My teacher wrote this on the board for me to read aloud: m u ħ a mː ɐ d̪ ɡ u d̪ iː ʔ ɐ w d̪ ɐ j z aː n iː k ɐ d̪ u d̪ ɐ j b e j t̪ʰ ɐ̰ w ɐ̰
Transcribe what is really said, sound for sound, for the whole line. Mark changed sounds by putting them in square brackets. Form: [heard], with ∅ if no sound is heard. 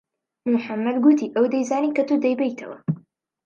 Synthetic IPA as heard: m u ħ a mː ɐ d̪ ɡ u [t̪] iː ʔ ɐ w d̪ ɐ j z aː n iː k ɐ [t̪] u d̪ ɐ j b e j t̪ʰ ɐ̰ w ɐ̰

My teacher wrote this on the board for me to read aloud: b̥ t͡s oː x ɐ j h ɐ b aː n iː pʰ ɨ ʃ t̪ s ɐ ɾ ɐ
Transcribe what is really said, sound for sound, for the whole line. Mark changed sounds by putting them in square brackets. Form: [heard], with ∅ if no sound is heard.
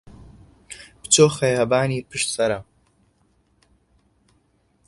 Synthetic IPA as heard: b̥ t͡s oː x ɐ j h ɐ b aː n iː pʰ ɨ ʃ t̪ s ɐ ɾ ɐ

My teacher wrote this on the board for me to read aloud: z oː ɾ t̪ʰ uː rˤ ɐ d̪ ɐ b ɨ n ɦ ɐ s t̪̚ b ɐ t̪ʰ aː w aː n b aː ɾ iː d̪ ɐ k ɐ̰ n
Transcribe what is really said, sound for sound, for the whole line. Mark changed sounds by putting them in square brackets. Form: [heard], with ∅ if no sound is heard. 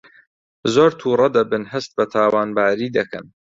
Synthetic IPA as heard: z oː ɾ t̪ʰ uː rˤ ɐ d̪ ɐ b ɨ n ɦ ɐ s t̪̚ b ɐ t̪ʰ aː w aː n b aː ɾ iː d̪ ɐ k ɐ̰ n

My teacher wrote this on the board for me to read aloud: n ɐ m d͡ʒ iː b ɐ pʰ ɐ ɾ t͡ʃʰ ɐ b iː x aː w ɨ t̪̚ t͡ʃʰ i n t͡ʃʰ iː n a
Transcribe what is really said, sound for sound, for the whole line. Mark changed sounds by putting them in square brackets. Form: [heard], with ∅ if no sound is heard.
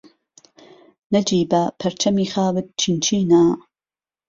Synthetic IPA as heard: n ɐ [∅] d͡ʒ iː b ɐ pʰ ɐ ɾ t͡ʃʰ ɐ [m] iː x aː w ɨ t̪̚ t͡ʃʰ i n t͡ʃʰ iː n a

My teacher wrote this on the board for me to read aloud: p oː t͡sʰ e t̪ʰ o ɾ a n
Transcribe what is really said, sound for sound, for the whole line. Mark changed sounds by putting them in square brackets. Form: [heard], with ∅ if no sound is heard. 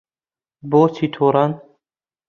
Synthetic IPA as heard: [b] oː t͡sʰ [i] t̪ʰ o ɾ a n

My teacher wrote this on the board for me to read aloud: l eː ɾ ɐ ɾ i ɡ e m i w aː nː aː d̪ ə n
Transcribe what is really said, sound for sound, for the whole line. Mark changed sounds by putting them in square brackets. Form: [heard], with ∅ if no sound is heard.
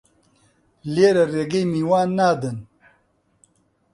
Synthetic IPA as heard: l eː ɾ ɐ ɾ [e] ɡ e m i w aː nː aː d̪ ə n

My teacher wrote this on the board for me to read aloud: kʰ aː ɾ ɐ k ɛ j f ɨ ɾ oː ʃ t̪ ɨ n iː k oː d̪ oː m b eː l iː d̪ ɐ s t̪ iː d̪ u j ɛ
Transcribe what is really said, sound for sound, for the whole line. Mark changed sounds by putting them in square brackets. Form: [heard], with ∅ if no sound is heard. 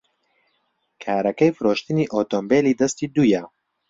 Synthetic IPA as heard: kʰ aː ɾ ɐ k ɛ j f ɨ ɾ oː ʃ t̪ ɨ n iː [ʔ] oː [t̪] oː m b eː l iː d̪ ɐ s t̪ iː d̪ u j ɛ

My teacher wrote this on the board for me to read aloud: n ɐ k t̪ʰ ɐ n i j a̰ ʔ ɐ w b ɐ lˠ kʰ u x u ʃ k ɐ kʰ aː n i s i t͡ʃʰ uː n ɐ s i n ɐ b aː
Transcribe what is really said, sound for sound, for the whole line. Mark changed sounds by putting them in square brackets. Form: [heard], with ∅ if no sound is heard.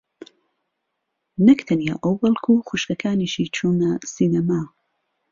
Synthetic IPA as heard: n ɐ k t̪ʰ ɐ n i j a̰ ʔ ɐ w b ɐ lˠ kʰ u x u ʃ k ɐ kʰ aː n i [ʃ] i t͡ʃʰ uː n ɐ s i n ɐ [m] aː

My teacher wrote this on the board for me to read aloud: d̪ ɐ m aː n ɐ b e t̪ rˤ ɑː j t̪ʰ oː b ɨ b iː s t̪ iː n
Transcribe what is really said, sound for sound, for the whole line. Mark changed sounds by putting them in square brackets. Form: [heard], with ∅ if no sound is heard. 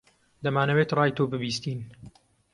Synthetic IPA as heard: d̪ ɐ m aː n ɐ [w] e t̪ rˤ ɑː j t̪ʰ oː b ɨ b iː s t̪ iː n

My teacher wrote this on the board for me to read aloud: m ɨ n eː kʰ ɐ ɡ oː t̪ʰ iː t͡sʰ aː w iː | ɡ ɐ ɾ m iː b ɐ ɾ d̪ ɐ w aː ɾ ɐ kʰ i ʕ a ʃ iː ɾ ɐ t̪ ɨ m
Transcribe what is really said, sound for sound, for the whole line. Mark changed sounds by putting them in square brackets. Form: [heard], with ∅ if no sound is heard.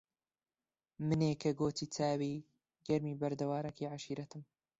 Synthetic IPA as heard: m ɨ n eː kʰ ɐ ɡ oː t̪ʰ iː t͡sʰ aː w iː | ɡ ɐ ɾ m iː b ɐ ɾ d̪ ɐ w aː ɾ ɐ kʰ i ʕ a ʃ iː ɾ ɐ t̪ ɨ m

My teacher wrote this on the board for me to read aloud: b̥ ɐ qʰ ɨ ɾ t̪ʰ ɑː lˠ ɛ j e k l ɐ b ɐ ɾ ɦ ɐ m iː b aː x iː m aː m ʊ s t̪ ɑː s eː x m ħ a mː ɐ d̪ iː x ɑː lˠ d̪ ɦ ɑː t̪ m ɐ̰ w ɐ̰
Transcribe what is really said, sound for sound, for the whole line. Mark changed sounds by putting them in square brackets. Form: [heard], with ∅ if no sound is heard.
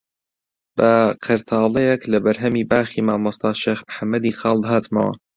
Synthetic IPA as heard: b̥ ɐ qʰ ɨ ɾ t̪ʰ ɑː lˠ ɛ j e k l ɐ b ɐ ɾ ɦ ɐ m iː b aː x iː m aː m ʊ s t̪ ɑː [ʃ] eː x m ħ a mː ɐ d̪ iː x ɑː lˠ d̪ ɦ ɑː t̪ m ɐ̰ w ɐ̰

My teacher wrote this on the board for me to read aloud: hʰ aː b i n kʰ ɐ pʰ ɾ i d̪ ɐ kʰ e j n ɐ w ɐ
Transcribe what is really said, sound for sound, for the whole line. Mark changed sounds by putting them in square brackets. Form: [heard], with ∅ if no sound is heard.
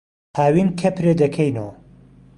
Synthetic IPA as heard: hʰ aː [w] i n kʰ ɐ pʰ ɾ [e] d̪ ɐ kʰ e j n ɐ w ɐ

